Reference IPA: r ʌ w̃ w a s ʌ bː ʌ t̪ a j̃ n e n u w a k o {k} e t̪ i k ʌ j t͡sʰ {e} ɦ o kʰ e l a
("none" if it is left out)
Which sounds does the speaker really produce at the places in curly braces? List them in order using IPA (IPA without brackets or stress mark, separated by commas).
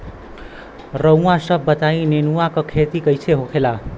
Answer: kʰ, e